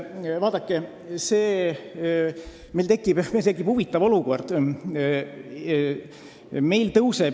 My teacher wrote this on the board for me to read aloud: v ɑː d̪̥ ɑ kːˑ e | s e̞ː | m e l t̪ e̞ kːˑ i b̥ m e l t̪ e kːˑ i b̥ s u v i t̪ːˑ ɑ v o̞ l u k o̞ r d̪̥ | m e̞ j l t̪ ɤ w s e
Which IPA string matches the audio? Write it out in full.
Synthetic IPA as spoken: v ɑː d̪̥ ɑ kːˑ e | s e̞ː | m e l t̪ e̞ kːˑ i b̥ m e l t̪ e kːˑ i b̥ h u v i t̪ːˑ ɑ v o̞ l u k o̞ r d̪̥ | m e̞ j l t̪ ɤ w s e